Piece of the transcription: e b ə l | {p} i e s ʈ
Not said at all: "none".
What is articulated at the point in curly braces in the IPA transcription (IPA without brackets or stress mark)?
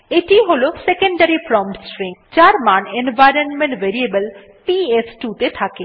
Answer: p